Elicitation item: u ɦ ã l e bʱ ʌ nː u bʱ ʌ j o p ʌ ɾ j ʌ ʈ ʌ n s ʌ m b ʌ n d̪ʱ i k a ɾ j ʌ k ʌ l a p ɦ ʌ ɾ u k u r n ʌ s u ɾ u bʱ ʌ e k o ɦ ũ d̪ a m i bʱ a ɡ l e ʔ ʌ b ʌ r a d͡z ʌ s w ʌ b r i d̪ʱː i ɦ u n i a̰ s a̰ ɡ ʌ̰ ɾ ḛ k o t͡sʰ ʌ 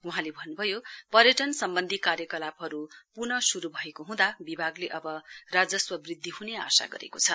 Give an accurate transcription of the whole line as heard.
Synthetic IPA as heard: u ɦ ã l e bʱ ʌ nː u bʱ ʌ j o p ʌ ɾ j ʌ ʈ ʌ n s ʌ m b ʌ n d̪ʱ i k a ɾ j ʌ k ʌ l a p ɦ ʌ ɾ u p u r n ʌ s u ɾ u bʱ ʌ e k o ɦ ũ d̪ a b i bʱ a ɡ l e ʔ ʌ b ʌ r a d͡z ʌ s w ʌ b r i d̪ʱː i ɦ u n e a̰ s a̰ ɡ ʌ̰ ɾ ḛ k o t͡sʰ ʌ